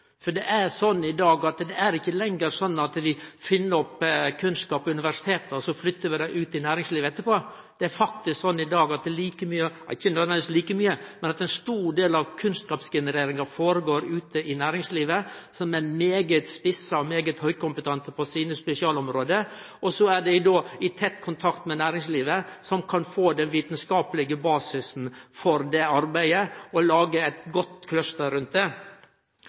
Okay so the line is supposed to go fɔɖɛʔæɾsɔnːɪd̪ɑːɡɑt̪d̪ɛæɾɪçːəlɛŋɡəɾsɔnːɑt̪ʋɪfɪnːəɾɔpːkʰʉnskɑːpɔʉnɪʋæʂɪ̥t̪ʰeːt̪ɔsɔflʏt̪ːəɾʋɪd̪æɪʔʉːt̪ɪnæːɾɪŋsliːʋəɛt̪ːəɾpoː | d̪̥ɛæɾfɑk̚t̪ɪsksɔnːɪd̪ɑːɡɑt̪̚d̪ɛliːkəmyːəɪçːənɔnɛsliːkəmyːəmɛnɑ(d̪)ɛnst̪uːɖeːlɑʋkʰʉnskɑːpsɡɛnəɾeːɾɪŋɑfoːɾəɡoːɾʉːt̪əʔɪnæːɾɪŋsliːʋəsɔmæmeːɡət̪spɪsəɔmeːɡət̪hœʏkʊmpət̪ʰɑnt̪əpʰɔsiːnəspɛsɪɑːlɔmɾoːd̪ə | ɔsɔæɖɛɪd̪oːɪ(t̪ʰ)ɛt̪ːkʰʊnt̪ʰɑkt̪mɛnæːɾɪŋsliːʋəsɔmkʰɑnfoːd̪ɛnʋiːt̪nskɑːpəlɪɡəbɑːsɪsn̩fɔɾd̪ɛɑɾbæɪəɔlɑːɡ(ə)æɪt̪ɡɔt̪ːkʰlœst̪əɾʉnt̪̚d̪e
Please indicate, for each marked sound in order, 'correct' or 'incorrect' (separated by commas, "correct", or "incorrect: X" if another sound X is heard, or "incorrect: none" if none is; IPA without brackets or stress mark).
incorrect: t̪, correct, correct